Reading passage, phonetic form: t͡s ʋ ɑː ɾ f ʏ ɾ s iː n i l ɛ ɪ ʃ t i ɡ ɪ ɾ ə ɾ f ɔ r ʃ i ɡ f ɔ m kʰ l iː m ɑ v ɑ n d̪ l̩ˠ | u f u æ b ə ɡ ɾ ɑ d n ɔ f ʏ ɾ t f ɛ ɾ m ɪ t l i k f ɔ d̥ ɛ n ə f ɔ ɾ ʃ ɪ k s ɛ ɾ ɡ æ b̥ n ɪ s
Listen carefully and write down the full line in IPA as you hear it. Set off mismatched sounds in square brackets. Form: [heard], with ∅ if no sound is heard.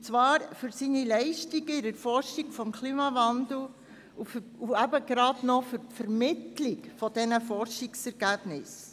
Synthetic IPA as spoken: t͡s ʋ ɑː ɾ f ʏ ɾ s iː n i l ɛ ɪ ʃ t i ɡ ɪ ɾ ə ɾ f ɔ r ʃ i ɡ f ɔ m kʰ l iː m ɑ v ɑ n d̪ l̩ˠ | u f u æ b ə ɡ ɾ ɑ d n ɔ f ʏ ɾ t f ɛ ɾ m ɪ t l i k f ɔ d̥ ɛ n ə f ɔ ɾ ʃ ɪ k s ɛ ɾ ɡ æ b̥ n ɪ s